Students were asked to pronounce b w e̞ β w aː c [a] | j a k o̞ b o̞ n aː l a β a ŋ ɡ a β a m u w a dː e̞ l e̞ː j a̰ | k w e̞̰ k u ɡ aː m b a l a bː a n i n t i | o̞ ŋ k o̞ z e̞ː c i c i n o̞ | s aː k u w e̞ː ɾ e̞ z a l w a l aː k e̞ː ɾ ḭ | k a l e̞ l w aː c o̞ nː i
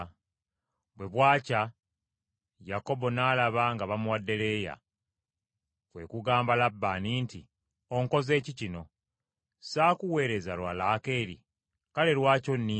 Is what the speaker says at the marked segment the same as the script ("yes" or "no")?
yes